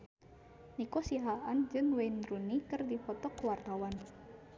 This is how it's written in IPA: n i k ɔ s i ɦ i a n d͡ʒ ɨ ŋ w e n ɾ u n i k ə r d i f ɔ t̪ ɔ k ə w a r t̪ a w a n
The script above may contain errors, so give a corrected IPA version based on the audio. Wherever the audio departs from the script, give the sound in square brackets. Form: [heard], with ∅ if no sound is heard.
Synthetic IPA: n i k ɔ s i ɦ [a] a n d͡ʒ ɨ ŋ w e n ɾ u n i k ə r d i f ɔ t̪ ɔ k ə w a r t̪ a w a n